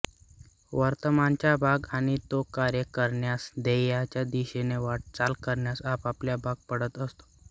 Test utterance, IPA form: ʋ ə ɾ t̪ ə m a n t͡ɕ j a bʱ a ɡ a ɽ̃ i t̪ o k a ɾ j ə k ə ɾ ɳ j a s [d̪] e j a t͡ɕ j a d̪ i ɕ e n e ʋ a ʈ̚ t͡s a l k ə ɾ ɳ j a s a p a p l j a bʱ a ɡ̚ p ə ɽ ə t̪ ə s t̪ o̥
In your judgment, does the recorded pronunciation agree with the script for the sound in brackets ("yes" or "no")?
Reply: yes